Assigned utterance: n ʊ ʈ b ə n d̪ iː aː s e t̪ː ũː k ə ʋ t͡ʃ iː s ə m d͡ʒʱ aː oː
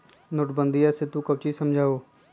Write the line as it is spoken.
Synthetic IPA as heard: n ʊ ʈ b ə n d̪ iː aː s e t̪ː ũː k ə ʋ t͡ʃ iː s ə m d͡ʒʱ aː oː

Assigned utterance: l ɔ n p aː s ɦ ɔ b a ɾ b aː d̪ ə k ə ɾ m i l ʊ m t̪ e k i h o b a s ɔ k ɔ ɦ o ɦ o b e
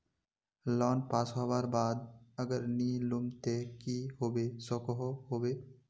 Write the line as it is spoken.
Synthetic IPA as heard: l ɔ n p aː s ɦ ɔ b a ɾ b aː d̪ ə ɡ ə ɾ n i l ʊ m t̪ e k i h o b e s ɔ k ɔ ɦ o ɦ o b e

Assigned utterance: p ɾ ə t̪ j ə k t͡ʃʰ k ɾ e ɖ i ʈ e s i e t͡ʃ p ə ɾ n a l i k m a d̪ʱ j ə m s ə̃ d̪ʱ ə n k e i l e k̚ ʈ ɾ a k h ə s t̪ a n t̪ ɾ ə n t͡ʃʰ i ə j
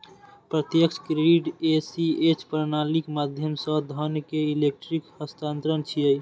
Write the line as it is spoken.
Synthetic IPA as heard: p ɾ ə t̪ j ə k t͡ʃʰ k ɾ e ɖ i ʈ e s i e t͡ʃ p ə ɾ n a l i k m a d̪ʱ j ə m s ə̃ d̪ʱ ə n k e i l e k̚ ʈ ɾ i k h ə s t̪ a n t̪ ɾ ə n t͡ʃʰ i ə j

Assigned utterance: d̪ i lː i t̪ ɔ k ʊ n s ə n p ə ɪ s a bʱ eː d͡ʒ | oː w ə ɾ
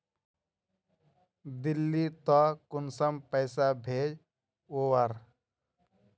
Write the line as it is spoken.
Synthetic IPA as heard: d̪ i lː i t̪ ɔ k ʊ n s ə m p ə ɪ s a bʱ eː d͡ʒ | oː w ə ɾ

